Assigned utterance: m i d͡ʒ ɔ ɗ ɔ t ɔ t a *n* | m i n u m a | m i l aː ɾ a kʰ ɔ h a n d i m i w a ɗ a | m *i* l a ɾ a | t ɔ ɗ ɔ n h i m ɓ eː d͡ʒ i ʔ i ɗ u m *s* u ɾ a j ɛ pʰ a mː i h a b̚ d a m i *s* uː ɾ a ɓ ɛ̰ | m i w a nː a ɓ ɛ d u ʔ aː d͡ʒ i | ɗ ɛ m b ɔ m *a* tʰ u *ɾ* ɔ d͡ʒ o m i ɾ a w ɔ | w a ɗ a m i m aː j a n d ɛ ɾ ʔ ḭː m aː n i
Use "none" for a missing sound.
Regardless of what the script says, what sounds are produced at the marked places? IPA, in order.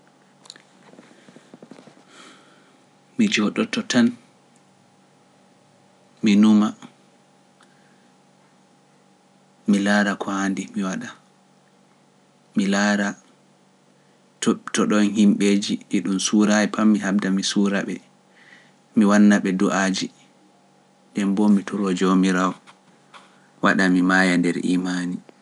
n, i, s, s, i, ɾ

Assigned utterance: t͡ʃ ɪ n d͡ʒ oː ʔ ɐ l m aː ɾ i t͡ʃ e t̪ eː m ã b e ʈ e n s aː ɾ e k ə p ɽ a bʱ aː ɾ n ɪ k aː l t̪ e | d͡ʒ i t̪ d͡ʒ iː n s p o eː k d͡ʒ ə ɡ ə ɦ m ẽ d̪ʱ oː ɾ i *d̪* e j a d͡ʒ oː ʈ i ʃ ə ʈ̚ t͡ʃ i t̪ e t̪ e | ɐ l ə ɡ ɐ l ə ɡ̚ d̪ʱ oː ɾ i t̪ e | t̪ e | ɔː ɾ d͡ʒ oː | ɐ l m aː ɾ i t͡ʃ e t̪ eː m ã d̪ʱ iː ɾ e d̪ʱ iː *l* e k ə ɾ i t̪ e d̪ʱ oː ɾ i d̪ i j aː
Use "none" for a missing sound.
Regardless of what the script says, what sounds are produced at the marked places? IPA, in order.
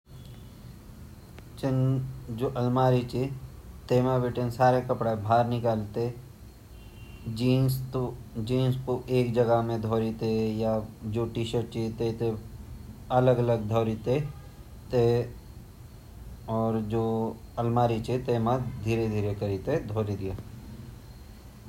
t̪, ɾ

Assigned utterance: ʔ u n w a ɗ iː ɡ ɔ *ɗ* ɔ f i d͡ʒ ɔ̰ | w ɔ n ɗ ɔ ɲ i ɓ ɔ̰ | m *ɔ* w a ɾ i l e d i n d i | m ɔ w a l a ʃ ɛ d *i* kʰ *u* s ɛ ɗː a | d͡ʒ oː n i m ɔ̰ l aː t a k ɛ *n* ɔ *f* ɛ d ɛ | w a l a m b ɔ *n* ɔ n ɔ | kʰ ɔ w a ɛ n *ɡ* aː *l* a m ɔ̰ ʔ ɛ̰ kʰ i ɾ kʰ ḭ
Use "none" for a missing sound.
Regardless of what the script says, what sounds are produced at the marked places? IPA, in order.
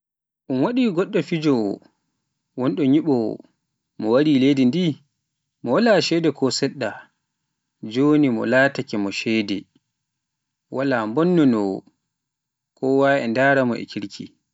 ɗː, ɔ, ɛ, ɔ, m, ʃ, nː, d, ɾ

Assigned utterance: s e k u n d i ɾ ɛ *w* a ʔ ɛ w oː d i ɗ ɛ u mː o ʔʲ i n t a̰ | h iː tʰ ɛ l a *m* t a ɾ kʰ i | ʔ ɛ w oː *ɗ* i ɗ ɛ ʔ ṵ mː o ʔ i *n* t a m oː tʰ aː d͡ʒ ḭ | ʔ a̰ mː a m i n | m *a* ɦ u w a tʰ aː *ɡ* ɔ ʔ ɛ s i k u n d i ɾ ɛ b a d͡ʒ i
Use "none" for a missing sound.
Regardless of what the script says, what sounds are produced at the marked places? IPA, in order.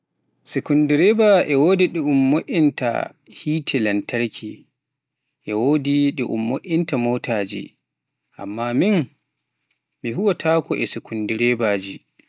b, n, d, n, i, k

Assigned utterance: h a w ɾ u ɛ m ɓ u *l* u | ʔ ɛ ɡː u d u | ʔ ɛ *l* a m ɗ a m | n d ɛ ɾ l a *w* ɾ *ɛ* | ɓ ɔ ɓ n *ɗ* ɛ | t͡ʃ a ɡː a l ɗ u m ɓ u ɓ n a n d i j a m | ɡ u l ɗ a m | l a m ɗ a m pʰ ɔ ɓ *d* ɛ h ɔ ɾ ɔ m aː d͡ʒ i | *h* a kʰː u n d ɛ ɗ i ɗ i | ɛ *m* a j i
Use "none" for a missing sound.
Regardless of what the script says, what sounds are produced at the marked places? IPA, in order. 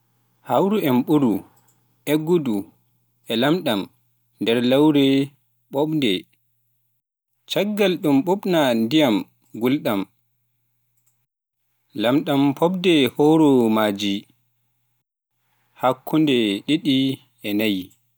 ɾ, l, w, ɛ, d, d, h, n

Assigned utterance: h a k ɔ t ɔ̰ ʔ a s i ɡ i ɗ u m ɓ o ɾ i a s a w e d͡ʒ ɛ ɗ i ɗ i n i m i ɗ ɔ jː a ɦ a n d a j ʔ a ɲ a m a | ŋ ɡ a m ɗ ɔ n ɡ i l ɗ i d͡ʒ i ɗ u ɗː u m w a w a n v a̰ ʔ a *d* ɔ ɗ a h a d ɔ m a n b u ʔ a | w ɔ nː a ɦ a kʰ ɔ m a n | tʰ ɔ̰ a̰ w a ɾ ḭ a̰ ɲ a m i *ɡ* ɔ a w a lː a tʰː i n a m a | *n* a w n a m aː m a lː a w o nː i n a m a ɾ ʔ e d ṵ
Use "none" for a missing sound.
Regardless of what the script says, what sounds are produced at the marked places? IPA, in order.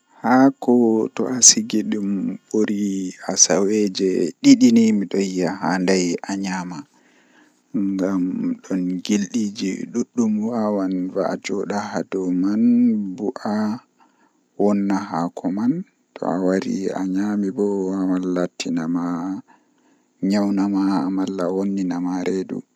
d͡ʒ, b, ɲ

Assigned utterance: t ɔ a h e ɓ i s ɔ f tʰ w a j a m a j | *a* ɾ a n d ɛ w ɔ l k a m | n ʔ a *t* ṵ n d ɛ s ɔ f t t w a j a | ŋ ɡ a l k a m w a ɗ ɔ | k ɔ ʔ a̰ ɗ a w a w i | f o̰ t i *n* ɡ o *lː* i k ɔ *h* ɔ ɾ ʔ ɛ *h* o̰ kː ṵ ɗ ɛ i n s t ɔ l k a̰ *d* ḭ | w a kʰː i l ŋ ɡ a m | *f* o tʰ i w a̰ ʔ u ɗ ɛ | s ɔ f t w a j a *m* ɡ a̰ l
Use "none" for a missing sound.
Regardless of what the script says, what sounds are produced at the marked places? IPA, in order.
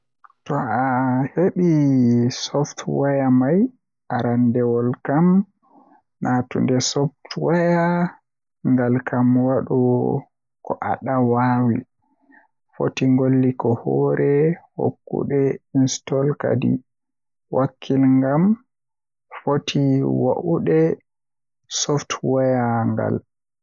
a, t, ŋ, lː, h, h, d, f, ŋ

